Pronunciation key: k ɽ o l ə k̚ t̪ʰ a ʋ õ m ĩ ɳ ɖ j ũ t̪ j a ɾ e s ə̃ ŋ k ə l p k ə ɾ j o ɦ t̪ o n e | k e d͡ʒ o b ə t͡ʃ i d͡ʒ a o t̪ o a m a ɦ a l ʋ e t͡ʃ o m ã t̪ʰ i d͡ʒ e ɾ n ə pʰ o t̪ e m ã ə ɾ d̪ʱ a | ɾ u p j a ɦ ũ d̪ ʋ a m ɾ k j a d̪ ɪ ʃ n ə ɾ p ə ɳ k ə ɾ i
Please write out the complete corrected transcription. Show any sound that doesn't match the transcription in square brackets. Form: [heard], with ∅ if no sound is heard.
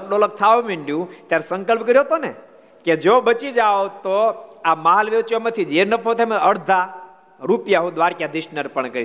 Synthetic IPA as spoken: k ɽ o l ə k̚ t̪ʰ a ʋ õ m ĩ ɳ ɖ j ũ t̪ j a ɾ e s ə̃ ŋ k ə l p k ə ɾ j o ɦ t̪ o n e | k e d͡ʒ o b ə t͡ʃ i d͡ʒ a o t̪ o a m a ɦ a l ʋ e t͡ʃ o m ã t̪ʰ i d͡ʒ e ɾ n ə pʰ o t̪ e m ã ə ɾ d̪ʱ a | ɾ u p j a ɦ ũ d̪ ʋ a [∅] ɾ k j a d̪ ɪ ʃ n ə ɾ p ə ɳ k ə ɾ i